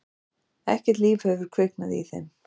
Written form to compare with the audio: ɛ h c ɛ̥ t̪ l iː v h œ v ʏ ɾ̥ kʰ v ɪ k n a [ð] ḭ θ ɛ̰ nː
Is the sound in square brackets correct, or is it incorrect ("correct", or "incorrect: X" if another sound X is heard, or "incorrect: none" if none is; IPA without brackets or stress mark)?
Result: correct